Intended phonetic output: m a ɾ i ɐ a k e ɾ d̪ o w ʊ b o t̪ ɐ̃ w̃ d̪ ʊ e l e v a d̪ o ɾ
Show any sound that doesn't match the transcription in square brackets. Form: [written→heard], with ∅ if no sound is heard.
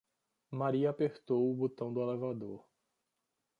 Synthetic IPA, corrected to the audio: m a ɾ i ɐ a [k→p] e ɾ [d̪→t̪] o w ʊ b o t̪ ɐ̃ w̃ d̪ ʊ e l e v a d̪ o ɾ